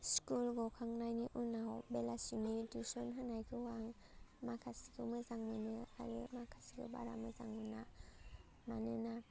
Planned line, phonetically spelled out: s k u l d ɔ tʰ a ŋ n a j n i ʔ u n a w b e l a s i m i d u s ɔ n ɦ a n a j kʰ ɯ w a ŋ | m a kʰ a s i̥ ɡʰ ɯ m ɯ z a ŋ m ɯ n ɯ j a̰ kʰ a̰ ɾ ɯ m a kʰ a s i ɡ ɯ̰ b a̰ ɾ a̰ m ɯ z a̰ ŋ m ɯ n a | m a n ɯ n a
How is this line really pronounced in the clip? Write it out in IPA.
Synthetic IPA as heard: s k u l ɡ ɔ kʰ a ŋ n a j n i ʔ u n a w b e l a s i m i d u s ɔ n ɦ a n a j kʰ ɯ w a ŋ | m a kʰ a s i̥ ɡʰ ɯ m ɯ z a ŋ m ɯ n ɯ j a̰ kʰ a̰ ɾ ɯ m a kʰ a s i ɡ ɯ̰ b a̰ ɾ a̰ m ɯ z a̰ ŋ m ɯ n a | m a n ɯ n a